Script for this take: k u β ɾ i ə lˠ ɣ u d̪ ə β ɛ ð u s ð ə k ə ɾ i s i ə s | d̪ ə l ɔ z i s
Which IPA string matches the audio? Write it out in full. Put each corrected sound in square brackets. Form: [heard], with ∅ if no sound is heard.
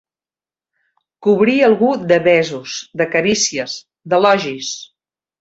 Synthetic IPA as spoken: k u β ɾ i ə lˠ ɣ u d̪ ə β ɛ [z] u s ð ə k ə ɾ i s i ə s | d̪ ə l ɔ [ʒ] i s